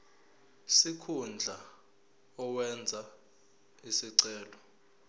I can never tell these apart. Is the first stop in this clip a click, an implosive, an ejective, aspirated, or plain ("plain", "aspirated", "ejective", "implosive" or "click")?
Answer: aspirated